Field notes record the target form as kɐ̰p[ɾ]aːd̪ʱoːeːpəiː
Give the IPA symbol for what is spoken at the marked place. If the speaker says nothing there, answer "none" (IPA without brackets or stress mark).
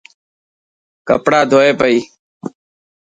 ɽ